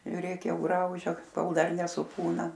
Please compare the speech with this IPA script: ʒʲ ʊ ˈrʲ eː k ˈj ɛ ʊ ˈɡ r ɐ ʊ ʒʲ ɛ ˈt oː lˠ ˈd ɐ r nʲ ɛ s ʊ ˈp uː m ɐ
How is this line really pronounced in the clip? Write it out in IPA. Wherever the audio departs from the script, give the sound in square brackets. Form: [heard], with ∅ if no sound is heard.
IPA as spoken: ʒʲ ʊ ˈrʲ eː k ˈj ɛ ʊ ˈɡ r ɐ ʊ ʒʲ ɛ [ˈk] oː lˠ ˈd ɐ r nʲ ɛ s ʊ ˈp uː [n] ɐ